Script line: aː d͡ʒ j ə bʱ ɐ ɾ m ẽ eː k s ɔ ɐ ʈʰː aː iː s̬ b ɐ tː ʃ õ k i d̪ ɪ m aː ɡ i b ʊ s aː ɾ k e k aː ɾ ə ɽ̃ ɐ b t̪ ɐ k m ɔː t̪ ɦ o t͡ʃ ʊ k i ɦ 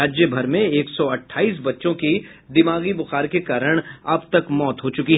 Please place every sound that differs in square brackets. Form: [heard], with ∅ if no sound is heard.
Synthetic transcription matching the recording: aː d͡ʒ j ə bʱ ɐ ɾ m ẽ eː k s ɔ ɐ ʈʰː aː iː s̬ b ɐ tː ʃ õ k i d̪ ɪ m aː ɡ i b ʊ [x] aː ɾ k e k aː ɾ ə ɽ̃ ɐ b t̪ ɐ k m ɔː t̪ ɦ o t͡ʃ ʊ k i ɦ